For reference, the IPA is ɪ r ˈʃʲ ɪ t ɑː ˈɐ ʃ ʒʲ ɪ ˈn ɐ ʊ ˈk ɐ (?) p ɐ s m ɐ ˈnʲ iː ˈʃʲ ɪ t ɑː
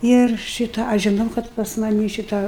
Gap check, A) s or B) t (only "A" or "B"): B